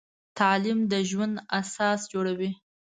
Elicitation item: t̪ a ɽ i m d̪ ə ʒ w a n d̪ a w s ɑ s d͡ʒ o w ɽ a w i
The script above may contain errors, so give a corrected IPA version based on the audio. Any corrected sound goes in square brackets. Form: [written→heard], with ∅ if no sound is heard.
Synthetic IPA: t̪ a [ɽ→l] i m d̪ ə ʒ w a n d̪ a [w→∅] s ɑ s d͡ʒ o [w→∅] ɽ a w i